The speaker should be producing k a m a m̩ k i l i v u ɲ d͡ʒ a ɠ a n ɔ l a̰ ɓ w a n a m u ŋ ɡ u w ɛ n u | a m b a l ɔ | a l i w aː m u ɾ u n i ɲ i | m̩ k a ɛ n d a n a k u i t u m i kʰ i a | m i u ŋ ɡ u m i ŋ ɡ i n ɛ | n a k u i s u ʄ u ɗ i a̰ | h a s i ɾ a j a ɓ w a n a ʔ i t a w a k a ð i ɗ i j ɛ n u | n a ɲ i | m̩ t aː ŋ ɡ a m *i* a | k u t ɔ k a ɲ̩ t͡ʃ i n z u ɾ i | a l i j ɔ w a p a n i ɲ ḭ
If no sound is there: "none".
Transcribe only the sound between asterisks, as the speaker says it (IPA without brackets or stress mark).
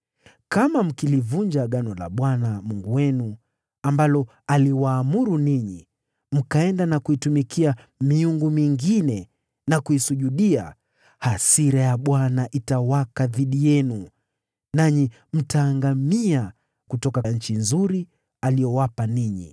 i